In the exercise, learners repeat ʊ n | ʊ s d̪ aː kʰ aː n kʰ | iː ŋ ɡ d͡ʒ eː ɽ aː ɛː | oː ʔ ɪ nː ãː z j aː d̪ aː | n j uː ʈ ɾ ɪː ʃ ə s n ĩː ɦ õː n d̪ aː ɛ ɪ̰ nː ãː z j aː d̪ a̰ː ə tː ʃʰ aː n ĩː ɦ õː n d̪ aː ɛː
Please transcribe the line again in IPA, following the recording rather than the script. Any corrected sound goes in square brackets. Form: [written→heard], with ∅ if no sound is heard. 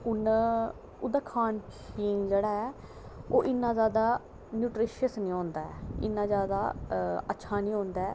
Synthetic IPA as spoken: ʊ n | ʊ [s→∅] d̪ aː kʰ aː n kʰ | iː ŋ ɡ d͡ʒ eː ɽ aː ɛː | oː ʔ ɪ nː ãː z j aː d̪ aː | n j uː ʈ ɾ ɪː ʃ ə s n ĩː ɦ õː n d̪ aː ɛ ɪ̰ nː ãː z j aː d̪ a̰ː ə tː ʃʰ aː n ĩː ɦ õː n d̪ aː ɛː